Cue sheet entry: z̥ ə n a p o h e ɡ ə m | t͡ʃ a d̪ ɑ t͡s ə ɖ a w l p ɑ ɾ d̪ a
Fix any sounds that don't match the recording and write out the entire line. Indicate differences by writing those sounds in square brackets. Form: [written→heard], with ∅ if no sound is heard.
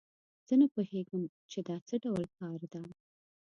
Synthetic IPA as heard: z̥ ə n a p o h e ɡ ə m | t͡ʃ [a→e] d̪ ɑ t͡s ə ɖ a w l [p→k] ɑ ɾ d̪ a